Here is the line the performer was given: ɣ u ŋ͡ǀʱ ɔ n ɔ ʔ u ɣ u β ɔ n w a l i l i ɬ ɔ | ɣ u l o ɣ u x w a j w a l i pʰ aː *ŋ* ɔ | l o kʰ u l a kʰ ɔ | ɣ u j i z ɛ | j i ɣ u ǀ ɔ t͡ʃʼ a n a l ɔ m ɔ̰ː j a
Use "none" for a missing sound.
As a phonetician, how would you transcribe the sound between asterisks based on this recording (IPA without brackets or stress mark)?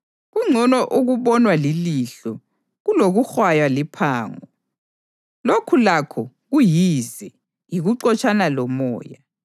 ŋ